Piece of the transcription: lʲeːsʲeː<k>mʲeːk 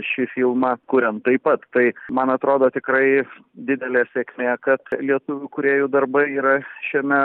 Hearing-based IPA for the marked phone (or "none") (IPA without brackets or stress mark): k